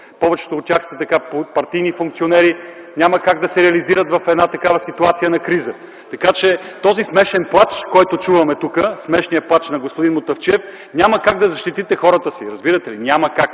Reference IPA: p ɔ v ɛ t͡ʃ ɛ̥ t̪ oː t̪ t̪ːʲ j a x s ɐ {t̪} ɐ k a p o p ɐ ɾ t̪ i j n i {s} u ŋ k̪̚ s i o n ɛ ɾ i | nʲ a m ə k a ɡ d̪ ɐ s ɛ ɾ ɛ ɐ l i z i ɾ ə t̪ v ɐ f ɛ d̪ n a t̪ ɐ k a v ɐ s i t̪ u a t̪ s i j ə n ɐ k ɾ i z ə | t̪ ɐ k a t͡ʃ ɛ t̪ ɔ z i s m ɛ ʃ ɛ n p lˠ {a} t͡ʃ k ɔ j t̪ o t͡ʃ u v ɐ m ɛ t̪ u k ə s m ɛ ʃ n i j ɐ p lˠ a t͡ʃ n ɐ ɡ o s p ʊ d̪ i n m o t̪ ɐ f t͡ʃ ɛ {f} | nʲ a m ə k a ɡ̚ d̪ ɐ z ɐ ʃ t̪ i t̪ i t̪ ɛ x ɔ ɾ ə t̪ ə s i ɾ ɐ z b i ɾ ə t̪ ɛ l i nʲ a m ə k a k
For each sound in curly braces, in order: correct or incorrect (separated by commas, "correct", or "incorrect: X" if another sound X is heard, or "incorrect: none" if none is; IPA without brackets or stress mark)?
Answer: correct, incorrect: f, correct, correct